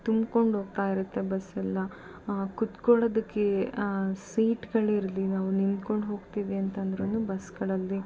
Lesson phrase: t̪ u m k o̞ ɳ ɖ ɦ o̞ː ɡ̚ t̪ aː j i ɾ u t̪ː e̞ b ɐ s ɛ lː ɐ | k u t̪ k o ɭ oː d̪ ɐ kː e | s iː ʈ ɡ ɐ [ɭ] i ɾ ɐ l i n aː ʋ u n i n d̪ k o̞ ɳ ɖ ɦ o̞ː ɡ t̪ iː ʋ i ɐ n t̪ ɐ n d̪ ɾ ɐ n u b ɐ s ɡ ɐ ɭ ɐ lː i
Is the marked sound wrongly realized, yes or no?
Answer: no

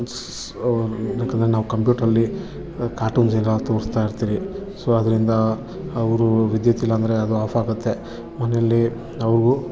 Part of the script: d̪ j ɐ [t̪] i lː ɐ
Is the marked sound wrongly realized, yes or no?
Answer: no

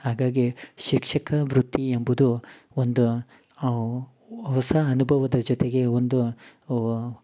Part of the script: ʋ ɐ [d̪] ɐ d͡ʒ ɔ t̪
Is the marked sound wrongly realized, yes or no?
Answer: no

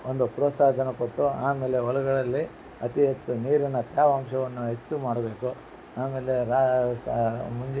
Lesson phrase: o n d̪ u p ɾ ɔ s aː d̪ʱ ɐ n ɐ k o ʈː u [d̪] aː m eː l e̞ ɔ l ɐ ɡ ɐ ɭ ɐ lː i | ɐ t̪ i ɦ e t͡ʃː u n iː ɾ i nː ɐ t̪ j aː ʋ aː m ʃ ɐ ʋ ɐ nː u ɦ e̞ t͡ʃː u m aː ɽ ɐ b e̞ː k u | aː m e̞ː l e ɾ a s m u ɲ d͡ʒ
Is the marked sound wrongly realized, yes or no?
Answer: yes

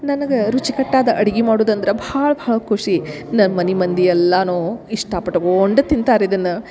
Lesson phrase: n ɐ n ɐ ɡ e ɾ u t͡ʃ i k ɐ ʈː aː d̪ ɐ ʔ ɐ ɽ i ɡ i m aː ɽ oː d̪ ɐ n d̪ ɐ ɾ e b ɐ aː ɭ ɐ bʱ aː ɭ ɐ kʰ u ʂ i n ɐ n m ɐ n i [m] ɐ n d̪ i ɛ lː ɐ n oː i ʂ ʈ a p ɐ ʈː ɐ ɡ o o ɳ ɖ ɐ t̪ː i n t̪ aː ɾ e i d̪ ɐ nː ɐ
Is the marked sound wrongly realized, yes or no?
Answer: no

